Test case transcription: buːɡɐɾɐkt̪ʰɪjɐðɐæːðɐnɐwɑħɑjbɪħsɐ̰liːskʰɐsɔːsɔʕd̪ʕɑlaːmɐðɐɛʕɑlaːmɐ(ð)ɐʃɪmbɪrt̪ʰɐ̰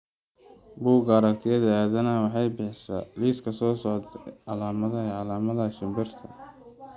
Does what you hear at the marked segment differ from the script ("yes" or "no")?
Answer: no